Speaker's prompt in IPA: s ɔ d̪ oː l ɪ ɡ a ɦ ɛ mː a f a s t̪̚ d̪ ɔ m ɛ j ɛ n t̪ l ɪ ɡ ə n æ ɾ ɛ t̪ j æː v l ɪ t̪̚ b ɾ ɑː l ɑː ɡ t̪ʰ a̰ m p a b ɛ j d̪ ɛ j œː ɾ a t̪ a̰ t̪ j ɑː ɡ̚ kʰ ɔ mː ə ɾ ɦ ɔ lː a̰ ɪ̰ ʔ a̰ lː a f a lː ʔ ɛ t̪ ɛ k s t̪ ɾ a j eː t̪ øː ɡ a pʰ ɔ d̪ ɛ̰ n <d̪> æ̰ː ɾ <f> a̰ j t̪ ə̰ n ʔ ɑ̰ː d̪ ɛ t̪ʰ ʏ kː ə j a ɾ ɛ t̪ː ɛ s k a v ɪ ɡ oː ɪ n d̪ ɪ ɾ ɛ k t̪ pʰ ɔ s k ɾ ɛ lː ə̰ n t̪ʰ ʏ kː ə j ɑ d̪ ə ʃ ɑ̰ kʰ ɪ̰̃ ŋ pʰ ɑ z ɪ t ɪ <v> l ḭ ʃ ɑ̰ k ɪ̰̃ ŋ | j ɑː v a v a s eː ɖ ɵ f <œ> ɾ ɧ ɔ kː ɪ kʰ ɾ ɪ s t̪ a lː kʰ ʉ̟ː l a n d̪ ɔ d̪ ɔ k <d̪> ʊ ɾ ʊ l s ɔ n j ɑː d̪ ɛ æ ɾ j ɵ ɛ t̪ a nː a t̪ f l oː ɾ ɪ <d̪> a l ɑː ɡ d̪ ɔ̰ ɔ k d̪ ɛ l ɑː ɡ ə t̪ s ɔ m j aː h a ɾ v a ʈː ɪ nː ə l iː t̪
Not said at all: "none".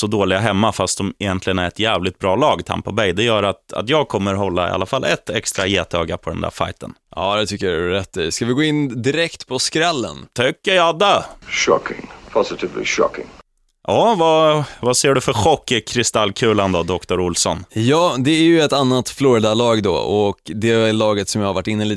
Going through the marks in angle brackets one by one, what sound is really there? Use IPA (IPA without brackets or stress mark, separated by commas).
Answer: d̪, f, v, œ, t̪, d̪